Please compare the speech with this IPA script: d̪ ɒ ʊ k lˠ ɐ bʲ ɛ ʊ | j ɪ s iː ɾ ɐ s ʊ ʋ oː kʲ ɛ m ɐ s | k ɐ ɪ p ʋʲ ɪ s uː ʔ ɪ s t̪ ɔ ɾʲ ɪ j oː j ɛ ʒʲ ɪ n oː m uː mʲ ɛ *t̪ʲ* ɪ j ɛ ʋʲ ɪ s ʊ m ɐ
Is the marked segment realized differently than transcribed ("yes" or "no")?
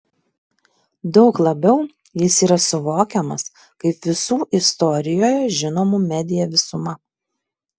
yes